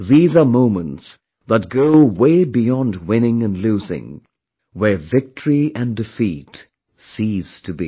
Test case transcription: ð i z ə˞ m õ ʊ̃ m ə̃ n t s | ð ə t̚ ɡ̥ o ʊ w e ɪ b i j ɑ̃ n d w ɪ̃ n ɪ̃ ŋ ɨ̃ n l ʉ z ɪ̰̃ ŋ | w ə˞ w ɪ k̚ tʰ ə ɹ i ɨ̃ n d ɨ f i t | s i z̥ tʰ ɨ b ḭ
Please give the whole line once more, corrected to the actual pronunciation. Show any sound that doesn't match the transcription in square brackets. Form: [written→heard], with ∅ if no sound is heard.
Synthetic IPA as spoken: ð i z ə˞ m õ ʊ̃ m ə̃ n t s | ð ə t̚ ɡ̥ o ʊ w e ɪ b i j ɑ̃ n d w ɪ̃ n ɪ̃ ŋ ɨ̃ n l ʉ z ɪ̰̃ ŋ | w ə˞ [w→v] ɪ k̚ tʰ ə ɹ i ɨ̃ n d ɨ f i t | s i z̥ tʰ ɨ b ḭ

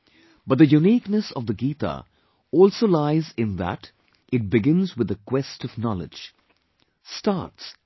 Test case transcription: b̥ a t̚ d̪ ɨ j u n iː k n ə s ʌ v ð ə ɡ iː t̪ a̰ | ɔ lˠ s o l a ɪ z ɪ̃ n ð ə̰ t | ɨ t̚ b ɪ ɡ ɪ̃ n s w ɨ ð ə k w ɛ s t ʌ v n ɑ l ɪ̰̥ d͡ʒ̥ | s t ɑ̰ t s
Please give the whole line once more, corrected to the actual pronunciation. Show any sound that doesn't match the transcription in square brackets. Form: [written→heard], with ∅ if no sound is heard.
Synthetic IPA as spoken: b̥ [a→ʌ] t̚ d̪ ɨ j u n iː k n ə s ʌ v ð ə ɡ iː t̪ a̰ | ɔ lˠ s o l a ɪ z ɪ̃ n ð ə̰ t | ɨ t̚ b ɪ ɡ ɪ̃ n [s→z] w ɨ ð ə k w ɛ s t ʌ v n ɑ l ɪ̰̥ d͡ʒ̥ | s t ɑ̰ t s

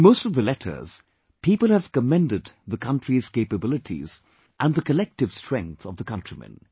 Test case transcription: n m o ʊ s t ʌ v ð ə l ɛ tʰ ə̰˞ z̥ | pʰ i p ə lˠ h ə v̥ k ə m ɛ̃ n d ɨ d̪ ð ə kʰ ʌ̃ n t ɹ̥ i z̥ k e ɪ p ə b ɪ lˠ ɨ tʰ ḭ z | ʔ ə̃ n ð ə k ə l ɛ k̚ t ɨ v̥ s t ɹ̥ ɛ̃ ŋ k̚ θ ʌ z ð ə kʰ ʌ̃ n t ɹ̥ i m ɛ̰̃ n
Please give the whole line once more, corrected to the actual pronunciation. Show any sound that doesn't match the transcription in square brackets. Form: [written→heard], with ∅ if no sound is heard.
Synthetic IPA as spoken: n m o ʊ s t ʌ v ð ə l ɛ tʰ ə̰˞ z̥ | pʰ i p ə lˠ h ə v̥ k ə m ɛ̃ n d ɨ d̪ ð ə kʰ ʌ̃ n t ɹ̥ i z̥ k e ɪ p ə b ɪ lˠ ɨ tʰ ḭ z | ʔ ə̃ n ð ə k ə l ɛ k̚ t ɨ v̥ s t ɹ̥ ɛ̃ ŋ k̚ θ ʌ [z→v] ð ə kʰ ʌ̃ n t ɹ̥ i m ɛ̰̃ n

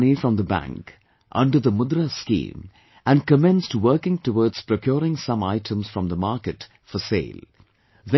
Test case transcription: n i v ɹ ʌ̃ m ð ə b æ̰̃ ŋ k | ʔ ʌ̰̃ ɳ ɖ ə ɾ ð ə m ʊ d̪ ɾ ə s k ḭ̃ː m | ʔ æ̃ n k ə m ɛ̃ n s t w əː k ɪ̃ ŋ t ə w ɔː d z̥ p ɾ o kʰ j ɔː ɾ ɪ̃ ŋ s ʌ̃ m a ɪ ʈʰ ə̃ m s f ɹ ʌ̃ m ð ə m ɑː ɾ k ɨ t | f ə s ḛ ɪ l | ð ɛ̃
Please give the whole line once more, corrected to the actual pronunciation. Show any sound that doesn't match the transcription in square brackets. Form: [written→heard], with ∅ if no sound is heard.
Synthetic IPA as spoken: n i [v→f] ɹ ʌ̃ m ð ə b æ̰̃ ŋ k | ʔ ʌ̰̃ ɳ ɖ ə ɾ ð ə m ʊ d̪ ɾ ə s k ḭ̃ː m | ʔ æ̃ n k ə m ɛ̃ n s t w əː k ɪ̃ ŋ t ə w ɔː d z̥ p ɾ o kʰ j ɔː ɾ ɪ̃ ŋ s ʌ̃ m a ɪ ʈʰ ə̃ m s f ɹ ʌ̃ m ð ə m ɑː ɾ k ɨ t | f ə s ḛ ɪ l | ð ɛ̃

